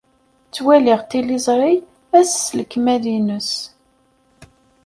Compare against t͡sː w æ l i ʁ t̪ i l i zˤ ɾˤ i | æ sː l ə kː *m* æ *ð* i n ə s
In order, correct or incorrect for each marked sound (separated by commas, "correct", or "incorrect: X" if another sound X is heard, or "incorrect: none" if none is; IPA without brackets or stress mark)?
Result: correct, correct